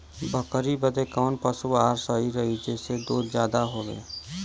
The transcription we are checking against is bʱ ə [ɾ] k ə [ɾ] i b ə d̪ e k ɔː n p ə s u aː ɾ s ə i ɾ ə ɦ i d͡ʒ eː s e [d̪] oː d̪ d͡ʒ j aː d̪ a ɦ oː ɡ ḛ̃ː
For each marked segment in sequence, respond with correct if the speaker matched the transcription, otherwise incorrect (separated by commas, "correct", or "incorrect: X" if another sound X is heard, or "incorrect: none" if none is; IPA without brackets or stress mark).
incorrect: none, correct, correct